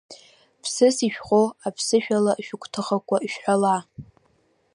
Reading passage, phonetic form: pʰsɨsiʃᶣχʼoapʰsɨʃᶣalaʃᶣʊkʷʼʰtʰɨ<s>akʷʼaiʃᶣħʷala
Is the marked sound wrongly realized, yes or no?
yes